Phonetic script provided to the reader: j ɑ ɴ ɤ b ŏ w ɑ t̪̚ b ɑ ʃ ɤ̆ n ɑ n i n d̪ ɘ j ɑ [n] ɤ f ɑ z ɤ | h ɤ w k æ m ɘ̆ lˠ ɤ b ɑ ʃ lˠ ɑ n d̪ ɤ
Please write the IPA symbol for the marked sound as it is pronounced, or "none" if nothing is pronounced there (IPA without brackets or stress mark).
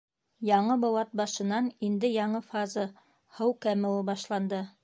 ɴ